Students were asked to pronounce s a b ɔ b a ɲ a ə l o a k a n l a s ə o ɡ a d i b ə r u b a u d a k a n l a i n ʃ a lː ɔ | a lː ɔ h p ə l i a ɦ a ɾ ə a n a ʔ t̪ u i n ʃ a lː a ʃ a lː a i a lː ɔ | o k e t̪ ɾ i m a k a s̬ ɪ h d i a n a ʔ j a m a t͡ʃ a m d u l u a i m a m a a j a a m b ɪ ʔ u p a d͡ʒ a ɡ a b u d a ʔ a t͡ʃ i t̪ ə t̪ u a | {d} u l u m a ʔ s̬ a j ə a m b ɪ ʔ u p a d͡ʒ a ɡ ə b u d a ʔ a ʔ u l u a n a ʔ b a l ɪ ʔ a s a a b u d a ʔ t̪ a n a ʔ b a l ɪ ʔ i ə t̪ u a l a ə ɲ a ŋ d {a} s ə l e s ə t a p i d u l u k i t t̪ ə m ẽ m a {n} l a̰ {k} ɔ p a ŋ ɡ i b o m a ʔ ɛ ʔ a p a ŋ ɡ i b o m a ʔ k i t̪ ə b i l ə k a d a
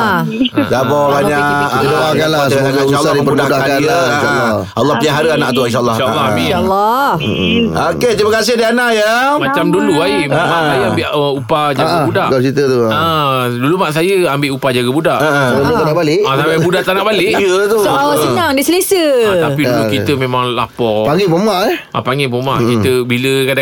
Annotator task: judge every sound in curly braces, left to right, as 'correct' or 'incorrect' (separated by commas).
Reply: correct, incorrect, incorrect, incorrect